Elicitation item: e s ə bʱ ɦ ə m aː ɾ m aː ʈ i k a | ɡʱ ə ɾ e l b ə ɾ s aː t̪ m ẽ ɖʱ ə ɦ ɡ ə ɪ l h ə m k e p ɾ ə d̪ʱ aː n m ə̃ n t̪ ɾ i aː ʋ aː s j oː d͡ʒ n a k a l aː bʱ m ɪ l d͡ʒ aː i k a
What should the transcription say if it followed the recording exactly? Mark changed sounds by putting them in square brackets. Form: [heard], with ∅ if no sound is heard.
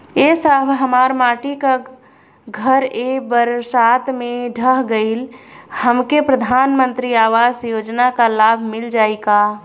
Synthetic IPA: e s ə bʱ ɦ ə m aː ɾ m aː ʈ i k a | ɡʱ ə ɾ e [∅] b ə ɾ s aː t̪ m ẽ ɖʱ ə ɦ ɡ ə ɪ l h ə m k e p ɾ ə d̪ʱ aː n m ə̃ n t̪ ɾ i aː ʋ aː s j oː d͡ʒ n a k a l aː bʱ m ɪ l d͡ʒ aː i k a

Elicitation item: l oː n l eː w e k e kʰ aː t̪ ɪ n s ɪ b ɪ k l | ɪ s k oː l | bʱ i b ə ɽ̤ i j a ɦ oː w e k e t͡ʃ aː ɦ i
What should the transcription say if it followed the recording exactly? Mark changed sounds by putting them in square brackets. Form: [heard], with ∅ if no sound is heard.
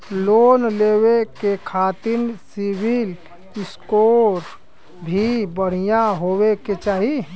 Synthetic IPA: l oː n l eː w e k e kʰ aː t̪ ɪ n s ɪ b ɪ [∅] l | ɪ s k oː [ɾ] | bʱ i b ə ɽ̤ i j a ɦ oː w e k e t͡ʃ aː ɦ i

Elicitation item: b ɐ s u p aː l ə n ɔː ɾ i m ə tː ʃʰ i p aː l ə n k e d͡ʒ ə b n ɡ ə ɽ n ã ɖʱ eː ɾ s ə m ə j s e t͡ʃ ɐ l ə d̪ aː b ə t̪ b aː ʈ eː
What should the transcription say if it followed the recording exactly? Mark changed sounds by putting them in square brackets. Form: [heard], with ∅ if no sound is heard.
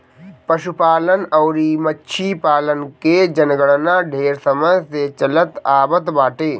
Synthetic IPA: [p] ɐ [ʃ] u p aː l ə n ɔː ɾ i m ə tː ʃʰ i p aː l ə n k e d͡ʒ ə [∅] n ɡ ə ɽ n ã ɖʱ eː ɾ s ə m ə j s e t͡ʃ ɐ l ə [t̪] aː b ə t̪ b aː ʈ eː

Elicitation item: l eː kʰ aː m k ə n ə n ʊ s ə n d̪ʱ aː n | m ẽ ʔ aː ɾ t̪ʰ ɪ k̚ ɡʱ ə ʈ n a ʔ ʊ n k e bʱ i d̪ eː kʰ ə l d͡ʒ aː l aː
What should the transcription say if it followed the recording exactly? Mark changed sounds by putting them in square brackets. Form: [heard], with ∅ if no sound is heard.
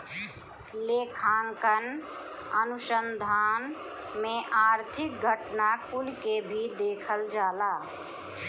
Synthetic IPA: l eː kʰ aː [ŋ] k ə n ə n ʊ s ə n d̪ʱ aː n | m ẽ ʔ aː ɾ t̪ʰ ɪ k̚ ɡʱ ə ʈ n a [k] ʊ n k e bʱ i d̪ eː kʰ ə l d͡ʒ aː l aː

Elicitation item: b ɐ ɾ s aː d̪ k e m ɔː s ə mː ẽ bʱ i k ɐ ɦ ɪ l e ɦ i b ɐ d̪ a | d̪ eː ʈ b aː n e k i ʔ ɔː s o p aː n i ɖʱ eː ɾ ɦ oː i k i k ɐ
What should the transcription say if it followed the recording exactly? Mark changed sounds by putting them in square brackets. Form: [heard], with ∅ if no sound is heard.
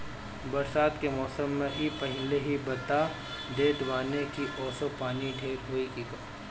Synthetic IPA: b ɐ ɾ s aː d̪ k e m ɔː s ə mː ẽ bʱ i [p] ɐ ɦ ɪ l e ɦ i b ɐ [t̪] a | d̪ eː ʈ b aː n e k i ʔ ɔː s o p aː n i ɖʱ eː ɾ ɦ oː i k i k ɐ

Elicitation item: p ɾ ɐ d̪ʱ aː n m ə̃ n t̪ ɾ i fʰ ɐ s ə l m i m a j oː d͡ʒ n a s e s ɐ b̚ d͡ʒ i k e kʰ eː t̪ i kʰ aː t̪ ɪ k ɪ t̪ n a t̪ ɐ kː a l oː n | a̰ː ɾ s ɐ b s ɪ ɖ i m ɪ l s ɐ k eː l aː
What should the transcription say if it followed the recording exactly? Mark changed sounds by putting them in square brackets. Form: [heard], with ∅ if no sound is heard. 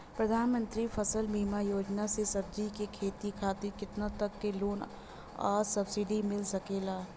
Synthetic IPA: p ɾ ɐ d̪ʱ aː n m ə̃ n t̪ ɾ i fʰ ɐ s ə l m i m a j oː d͡ʒ n a s e s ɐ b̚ d͡ʒ i k e kʰ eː t̪ i kʰ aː t̪ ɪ k ɪ t̪ n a t̪ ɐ kː [e] l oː n | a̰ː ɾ s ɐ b s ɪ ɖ i m ɪ l s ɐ k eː l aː

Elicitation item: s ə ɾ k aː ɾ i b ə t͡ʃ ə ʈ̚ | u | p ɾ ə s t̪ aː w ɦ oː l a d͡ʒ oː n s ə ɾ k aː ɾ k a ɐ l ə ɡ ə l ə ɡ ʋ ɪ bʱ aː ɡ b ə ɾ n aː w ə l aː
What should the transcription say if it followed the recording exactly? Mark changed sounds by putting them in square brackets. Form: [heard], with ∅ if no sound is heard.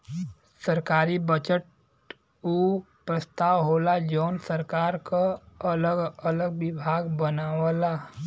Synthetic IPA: s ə ɾ k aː ɾ i b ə t͡ʃ ə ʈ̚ | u | p ɾ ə s t̪ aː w ɦ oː l a d͡ʒ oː n s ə ɾ k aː ɾ k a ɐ l ə ɡ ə l ə ɡ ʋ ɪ bʱ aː ɡ b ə [∅] n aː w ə l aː

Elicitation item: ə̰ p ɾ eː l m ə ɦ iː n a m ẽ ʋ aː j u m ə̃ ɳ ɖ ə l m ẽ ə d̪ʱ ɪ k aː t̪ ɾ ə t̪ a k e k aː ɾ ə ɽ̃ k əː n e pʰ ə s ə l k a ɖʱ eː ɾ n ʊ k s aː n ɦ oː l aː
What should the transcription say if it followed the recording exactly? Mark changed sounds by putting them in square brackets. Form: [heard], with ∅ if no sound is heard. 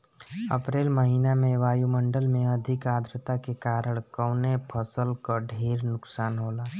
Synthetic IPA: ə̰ p ɾ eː l m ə ɦ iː n a m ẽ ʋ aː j u m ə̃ ɳ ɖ ə l m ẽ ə d̪ʱ ɪ k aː [d̪] ɾ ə t̪ a k e k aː ɾ ə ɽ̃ k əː n e pʰ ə s ə l k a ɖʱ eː ɾ n ʊ k s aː n ɦ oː l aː

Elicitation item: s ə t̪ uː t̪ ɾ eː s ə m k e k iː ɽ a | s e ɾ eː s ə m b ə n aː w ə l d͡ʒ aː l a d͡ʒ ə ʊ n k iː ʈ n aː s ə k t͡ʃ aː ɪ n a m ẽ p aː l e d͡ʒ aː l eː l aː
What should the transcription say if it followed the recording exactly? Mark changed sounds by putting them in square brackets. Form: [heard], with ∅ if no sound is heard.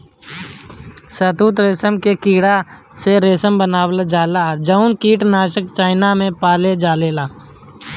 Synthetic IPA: s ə t̪ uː t̪ ɾ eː s ə m k e k iː ɽ a | s e ɾ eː s ə m b ə n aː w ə l d͡ʒ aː l a d͡ʒ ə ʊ n k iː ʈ n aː [ʃ] ə k t͡ʃ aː ɪ n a m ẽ p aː l e d͡ʒ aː l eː l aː

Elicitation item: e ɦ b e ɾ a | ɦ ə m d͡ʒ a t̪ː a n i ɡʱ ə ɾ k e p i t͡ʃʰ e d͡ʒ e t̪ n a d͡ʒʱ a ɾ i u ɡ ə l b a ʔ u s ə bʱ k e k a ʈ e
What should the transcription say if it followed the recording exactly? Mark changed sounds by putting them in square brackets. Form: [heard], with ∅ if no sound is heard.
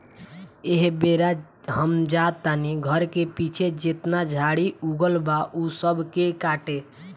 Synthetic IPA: e ɦ b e ɾ a | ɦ ə m d͡ʒ a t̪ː a n i ɡʱ ə ɾ k e p i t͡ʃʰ e d͡ʒ e t̪ n a d͡ʒʱ a [ɽ] i u ɡ ə l b a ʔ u s ə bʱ k e k a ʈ e

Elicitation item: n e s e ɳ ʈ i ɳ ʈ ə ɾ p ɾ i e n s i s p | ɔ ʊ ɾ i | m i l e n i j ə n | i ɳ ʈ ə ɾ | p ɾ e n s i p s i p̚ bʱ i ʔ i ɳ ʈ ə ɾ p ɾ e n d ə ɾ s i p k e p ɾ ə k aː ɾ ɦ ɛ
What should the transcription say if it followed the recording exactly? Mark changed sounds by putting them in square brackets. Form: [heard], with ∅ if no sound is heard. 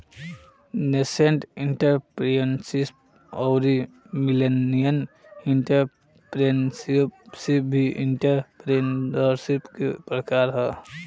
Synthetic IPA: n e s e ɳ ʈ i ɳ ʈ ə ɾ p ɾ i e n s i s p | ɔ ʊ ɾ i | m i l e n i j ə n | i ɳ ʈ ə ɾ | p ɾ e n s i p s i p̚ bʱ i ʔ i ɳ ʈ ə ɾ p ɾ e n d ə ɾ s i p k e p ɾ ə k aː ɾ ɦ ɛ

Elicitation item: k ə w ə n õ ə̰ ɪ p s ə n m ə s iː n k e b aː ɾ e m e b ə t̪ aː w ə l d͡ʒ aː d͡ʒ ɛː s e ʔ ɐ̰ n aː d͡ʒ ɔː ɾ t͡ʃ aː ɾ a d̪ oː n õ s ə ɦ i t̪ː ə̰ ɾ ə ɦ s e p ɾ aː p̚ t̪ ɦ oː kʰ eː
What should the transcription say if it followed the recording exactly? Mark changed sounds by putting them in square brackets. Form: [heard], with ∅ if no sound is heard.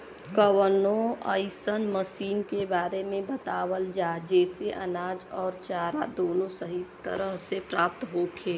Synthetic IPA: k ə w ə n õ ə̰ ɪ [∅] s ə n m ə s iː n k e b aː ɾ e m [ẽ] b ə t̪ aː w ə l d͡ʒ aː d͡ʒ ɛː s e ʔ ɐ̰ n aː d͡ʒ ɔː ɾ t͡ʃ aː ɾ a d̪ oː n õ s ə ɦ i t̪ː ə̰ ɾ ə ɦ s e p ɾ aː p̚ t̪ ɦ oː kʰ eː

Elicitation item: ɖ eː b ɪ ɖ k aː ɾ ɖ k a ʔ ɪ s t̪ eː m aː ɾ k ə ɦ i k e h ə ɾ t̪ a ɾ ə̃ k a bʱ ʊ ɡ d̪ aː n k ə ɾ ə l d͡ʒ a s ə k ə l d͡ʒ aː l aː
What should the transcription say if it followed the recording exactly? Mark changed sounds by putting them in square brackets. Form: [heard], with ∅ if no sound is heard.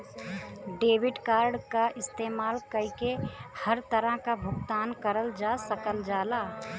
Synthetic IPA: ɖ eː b ɪ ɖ k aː ɾ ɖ k a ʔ ɪ s t̪ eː m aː [l] k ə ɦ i k e h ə ɾ t̪ [ə] ɾ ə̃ k a bʱ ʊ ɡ [t̪] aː n k ə ɾ ə l d͡ʒ a s ə k ə l d͡ʒ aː l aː

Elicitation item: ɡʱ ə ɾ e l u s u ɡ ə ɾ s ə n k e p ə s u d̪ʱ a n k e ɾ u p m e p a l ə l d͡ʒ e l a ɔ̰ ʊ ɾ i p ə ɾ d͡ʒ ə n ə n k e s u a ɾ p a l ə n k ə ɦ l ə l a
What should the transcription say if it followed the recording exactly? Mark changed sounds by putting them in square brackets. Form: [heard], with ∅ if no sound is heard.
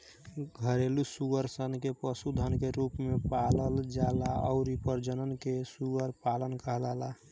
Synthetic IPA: ɡʱ ə ɾ e l u s u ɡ ə ɾ s ə n k e p ə s u d̪ʱ [ə] n k e ɾ u p m e p a l ə l d͡ʒ [a] l a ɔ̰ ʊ ɾ i p ə ɾ d͡ʒ ə n ə n k e s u [ə] ɾ p a l ə n k ə ɦ l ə l a

